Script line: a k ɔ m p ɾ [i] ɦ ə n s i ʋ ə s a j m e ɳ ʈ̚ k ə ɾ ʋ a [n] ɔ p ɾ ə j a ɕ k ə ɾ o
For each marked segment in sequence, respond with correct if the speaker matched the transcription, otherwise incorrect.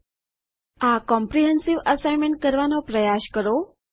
correct, correct

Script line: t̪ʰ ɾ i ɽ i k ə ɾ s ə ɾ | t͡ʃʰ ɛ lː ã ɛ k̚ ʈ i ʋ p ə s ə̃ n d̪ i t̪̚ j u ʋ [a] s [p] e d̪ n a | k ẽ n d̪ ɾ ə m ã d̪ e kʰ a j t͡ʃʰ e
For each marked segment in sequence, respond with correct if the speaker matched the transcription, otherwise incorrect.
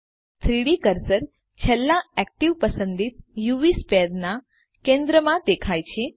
incorrect, correct

